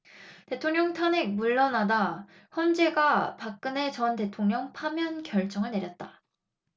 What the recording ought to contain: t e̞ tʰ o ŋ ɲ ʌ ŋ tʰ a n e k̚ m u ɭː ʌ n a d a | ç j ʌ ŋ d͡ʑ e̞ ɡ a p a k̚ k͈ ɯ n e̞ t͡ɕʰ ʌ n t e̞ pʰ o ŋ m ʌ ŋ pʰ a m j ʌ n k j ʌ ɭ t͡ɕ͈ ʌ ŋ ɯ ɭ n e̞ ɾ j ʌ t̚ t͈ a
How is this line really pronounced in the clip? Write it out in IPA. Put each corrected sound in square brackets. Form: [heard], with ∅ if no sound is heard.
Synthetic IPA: t e̞ tʰ o ŋ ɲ ʌ ŋ tʰ a n e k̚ m u ɭː ʌ n a d a | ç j ʌ [n] d͡ʑ e̞ ɡ a p a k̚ k͈ ɯ n e̞ [t͡ɕ] ʌ n t e̞ [tʰ] o ŋ [ɲ] ʌ ŋ pʰ a m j ʌ n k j ʌ ɭ t͡ɕ͈ ʌ ŋ ɯ ɭ n e̞ ɾ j ʌ t̚ t͈ a